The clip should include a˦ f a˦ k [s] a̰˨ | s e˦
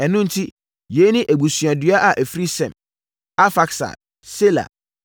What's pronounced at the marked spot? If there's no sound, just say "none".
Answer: s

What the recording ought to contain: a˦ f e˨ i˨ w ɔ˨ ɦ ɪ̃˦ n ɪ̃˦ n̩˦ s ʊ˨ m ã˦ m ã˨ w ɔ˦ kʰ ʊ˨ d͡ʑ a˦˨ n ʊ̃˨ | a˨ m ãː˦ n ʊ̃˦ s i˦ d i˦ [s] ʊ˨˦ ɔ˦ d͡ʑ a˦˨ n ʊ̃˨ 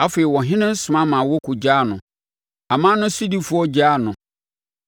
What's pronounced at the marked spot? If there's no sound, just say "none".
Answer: f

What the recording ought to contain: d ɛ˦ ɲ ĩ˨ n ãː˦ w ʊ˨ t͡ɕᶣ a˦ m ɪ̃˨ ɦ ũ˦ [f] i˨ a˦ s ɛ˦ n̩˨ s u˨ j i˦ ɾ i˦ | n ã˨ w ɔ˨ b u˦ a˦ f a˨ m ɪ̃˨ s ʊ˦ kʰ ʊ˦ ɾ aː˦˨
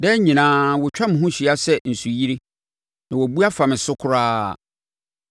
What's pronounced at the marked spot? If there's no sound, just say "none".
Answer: ɕ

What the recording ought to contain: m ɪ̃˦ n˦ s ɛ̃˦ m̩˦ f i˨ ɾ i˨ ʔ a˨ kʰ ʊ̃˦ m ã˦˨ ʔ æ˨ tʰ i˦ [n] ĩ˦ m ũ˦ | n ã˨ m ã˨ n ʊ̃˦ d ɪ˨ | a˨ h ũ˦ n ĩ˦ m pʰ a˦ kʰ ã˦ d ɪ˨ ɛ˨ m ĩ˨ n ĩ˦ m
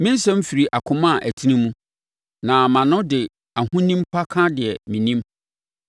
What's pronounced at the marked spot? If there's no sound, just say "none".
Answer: n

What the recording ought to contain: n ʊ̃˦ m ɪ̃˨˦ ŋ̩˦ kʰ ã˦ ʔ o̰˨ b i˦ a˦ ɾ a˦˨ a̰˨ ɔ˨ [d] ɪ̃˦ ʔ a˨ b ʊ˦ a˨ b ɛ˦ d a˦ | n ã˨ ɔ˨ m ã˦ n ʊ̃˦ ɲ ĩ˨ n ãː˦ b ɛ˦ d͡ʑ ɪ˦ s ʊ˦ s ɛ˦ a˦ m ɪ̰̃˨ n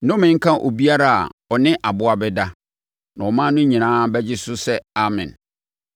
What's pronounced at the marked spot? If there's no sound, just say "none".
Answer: n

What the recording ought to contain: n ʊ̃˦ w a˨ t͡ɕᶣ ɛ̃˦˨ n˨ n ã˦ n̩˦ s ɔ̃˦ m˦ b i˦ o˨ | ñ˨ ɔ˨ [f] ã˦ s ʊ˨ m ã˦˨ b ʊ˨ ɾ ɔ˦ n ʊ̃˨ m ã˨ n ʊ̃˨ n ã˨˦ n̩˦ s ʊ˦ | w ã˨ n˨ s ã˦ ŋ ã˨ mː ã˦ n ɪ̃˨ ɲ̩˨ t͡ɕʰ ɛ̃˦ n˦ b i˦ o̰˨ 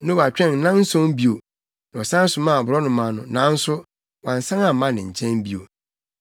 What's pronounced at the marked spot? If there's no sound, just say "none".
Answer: s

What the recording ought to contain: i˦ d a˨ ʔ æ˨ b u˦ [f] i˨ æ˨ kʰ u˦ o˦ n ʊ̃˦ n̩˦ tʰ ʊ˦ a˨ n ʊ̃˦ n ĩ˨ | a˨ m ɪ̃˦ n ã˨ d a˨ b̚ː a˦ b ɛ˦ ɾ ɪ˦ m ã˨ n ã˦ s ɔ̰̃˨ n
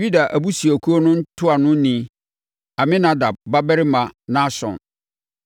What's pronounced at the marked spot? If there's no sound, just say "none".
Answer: s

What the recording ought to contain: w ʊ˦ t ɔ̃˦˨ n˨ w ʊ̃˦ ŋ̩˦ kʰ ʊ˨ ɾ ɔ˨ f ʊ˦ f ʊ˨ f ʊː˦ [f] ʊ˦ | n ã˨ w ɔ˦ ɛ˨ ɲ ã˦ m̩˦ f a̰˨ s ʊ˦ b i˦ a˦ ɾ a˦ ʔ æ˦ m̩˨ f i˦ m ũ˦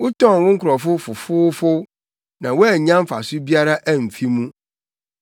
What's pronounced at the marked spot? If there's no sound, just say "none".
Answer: f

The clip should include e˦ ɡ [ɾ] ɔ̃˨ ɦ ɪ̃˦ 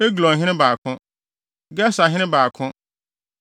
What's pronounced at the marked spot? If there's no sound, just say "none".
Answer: l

